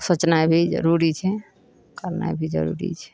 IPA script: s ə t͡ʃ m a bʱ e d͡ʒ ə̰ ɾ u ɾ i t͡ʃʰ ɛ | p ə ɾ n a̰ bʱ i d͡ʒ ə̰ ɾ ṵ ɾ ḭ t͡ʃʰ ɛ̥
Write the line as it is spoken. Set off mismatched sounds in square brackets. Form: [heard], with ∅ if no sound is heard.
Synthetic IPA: s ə t͡ʃ [n] a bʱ [i] d͡ʒ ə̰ ɾ u ɾ i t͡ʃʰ ɛ | [k] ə ɾ n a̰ bʱ i d͡ʒ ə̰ ɾ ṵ ɾ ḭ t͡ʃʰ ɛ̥